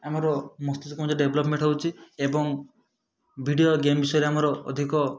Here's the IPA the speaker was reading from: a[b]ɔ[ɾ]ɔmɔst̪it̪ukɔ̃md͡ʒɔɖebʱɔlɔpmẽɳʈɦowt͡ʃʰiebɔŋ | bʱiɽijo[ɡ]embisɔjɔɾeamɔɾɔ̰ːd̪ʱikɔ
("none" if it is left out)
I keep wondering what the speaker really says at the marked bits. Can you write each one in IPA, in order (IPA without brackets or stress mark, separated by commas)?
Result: m, ɾ, ɡ